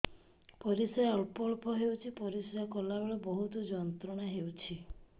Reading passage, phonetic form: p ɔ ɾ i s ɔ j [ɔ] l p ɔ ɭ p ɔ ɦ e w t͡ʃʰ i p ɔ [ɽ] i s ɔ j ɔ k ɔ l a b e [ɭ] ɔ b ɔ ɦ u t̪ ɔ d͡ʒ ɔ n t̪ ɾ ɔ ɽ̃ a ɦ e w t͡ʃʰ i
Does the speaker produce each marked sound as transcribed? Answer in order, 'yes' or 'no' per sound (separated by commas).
yes, no, yes